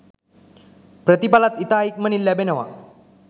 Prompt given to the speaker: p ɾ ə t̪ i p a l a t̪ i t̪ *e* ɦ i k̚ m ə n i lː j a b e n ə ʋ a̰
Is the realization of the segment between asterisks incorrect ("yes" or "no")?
yes